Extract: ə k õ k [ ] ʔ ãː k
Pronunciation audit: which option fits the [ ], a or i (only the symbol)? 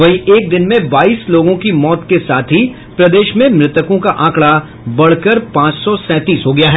a